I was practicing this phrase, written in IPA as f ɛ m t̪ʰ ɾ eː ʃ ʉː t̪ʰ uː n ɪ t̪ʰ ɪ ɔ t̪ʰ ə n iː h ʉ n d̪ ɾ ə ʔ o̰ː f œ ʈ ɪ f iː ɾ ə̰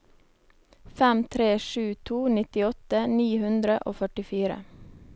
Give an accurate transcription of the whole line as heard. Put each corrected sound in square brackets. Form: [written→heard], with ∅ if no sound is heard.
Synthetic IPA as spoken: f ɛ m t̪ʰ ɾ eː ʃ ʉː t̪ʰ uː n ɪ [t̪ʰ→t̪] ɪ ɔ [t̪ʰ→t̪] ə n iː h ʉ n d̪ ɾ ə ʔ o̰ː f œ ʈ ɪ f iː ɾ ə̰